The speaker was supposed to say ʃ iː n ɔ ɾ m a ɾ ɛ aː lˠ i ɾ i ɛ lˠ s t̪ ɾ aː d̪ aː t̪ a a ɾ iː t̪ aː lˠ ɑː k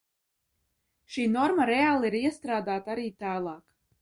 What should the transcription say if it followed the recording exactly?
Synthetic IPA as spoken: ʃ iː n ɔ ɾ m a ɾ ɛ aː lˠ i ɾ i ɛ s t̪ ɾ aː d̪ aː t̪ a a ɾ iː t̪ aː lˠ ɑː k